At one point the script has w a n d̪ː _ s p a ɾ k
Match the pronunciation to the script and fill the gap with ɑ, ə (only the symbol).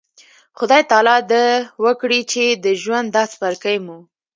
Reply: ɑ